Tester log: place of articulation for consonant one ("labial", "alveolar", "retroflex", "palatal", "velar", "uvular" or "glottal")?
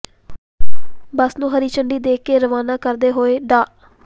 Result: labial